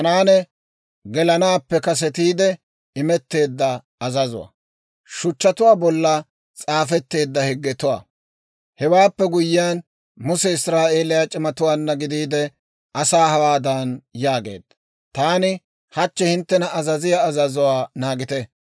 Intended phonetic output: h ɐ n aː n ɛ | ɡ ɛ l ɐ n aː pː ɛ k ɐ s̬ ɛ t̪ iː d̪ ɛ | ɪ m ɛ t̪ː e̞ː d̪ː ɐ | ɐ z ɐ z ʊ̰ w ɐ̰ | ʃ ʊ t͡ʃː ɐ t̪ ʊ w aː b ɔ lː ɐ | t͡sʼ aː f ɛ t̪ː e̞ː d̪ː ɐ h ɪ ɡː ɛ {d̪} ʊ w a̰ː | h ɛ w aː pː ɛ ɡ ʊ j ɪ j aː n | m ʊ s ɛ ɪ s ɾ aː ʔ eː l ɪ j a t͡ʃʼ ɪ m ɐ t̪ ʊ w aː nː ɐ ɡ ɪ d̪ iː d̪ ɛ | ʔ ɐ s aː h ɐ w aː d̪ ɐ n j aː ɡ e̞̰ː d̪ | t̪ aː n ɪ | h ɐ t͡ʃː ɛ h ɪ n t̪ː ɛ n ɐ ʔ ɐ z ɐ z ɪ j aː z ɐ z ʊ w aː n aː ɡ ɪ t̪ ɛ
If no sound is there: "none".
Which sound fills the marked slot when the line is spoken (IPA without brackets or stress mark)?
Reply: t̪